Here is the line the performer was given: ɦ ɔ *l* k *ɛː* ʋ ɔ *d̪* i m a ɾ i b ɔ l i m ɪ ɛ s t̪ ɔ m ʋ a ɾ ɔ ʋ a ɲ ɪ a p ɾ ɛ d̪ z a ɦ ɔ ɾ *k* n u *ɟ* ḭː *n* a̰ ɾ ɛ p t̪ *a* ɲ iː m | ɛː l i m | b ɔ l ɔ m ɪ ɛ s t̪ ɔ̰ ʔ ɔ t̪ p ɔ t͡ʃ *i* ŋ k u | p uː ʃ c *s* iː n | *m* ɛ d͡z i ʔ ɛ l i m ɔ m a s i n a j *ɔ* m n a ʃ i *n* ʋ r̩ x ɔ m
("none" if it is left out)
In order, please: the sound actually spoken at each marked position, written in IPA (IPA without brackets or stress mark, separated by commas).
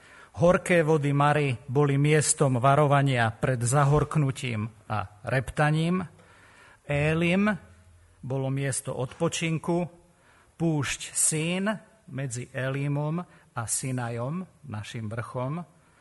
ɾ, ɛː, d̪, k, c, m, a, i, s, m, ɔ, m